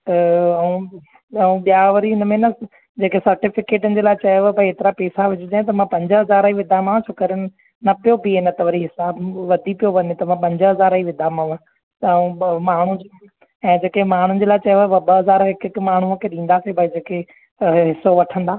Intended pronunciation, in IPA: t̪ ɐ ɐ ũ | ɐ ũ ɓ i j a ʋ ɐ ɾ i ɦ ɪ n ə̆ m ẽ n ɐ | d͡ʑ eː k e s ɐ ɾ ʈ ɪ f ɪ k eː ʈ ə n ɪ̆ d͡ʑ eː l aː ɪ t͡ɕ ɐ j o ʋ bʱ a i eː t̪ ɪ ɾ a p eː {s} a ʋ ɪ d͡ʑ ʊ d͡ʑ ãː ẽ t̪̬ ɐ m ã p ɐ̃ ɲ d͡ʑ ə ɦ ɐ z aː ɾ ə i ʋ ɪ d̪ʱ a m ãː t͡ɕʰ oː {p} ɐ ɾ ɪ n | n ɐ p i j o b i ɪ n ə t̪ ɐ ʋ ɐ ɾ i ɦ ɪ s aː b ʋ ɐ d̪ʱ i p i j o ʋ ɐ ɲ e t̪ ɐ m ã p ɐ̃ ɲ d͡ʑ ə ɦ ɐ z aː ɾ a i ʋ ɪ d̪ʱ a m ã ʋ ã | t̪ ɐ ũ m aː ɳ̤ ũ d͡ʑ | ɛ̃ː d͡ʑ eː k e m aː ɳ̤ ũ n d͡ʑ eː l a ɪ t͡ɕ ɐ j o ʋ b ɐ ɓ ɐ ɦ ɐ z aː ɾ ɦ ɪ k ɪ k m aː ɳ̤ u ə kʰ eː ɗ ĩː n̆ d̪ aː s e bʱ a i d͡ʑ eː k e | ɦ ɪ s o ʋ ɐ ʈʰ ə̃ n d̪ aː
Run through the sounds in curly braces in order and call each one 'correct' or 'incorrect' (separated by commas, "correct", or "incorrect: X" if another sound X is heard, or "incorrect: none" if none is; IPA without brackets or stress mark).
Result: correct, incorrect: k